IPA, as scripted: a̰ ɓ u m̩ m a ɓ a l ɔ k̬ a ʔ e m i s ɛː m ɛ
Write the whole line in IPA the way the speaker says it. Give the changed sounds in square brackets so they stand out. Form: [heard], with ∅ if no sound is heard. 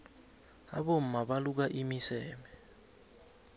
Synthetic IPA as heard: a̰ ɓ [o] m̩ m a ɓ a l [u] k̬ a ʔ [i] m i s ɛː m ɛ